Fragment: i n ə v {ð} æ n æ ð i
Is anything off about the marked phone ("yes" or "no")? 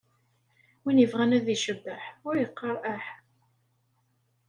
yes